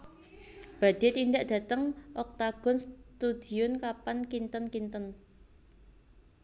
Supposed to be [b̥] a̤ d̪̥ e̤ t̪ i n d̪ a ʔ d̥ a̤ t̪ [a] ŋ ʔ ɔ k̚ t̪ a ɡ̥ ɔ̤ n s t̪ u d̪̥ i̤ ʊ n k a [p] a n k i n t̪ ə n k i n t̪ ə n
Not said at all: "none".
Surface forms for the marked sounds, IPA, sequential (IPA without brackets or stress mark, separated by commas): b̥, ə, p